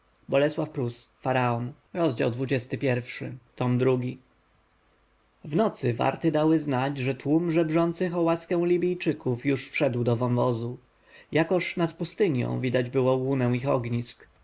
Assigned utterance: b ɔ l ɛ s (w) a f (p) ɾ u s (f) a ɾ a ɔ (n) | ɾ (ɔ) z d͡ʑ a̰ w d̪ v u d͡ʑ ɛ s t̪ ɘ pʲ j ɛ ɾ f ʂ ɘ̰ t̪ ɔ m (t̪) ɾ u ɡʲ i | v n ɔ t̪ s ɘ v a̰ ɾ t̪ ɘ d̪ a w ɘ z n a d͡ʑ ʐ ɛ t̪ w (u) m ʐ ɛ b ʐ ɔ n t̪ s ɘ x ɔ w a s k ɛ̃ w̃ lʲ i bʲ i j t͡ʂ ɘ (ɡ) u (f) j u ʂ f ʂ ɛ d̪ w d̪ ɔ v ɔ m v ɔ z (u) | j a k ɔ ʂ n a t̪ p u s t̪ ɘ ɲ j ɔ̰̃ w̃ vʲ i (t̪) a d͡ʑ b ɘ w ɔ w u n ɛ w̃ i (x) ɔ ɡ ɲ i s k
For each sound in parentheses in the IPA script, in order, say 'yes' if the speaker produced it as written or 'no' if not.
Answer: yes, yes, yes, yes, yes, no, yes, no, yes, yes, no, yes

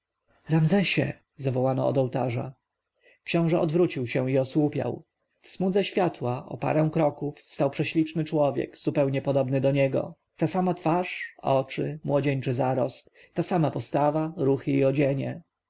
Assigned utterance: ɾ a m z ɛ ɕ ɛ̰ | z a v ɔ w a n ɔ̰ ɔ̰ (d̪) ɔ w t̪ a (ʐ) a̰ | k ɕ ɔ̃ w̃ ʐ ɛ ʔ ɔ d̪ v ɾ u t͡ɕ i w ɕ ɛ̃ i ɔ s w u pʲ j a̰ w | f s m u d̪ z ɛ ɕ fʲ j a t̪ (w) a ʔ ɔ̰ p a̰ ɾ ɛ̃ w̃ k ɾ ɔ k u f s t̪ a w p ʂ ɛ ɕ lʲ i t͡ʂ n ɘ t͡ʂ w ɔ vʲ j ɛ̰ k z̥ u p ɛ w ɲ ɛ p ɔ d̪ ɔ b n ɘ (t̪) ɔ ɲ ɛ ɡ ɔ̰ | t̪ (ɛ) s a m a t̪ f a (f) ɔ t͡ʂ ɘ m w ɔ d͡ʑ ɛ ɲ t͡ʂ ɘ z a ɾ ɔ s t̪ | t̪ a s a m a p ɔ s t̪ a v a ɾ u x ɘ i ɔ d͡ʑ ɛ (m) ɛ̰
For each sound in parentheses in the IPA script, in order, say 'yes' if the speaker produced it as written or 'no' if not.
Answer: yes, yes, yes, no, no, no, no

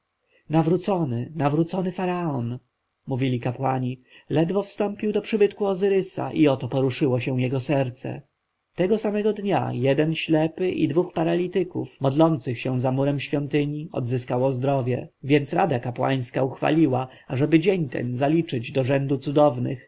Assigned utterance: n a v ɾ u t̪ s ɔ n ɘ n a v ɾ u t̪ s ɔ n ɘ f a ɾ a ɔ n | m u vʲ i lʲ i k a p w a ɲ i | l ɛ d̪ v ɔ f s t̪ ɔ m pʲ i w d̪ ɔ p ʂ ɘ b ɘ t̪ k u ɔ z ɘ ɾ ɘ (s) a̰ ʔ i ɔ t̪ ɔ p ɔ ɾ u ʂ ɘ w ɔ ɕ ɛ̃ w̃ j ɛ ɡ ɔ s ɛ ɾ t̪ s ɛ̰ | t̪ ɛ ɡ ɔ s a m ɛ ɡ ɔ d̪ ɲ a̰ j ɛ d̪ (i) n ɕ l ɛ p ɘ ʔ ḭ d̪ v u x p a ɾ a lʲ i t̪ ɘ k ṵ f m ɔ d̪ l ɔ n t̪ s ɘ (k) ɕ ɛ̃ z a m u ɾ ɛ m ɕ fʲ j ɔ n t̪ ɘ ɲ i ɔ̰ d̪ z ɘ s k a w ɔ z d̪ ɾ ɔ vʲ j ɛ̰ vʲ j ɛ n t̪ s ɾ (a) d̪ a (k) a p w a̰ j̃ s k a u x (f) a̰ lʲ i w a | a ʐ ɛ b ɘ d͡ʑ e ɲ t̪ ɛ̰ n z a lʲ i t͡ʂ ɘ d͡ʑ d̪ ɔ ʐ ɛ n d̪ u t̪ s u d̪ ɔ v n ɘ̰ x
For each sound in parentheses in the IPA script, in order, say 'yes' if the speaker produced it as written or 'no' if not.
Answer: yes, no, no, yes, yes, yes

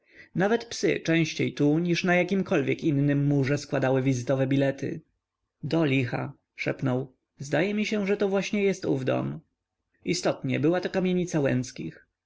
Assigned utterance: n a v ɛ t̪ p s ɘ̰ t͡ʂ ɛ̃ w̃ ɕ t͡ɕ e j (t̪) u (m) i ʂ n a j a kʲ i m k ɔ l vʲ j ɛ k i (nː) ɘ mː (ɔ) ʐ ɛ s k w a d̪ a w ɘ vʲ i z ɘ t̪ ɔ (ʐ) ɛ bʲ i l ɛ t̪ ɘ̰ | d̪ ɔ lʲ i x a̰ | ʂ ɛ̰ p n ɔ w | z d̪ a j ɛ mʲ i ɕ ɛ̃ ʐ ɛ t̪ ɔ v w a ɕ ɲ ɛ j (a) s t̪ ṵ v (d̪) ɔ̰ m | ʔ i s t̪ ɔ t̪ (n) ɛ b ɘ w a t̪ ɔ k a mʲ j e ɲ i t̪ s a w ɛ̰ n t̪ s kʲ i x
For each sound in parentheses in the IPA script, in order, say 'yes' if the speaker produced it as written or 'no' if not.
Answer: yes, no, yes, no, no, no, yes, no

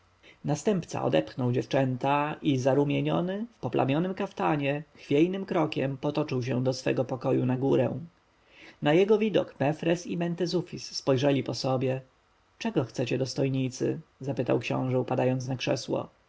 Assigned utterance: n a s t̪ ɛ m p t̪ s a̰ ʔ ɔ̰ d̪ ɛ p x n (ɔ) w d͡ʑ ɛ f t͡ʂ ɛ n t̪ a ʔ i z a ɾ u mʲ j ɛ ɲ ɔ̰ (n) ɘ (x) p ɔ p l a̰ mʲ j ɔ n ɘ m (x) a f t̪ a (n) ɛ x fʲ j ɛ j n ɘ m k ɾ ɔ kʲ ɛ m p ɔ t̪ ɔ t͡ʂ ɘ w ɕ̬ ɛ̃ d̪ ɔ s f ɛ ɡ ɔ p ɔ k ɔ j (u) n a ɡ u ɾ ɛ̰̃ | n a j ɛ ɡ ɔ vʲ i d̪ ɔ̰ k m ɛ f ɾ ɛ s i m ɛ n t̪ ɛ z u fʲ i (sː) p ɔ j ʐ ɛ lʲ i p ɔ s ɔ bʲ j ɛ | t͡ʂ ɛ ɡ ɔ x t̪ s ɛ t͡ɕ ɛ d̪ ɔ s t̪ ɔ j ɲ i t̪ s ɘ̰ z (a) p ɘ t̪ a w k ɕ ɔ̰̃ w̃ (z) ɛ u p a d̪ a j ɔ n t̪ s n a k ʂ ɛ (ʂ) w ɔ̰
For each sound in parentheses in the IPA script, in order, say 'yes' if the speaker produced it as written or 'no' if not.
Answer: yes, yes, no, no, no, yes, yes, yes, no, no

